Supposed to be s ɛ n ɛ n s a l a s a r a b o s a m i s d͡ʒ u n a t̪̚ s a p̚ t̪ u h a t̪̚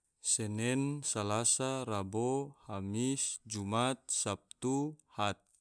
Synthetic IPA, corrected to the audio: s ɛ n ɛ n s a l a s a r a b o h a m i s d͡ʒ u m a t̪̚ s a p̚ t̪ u h a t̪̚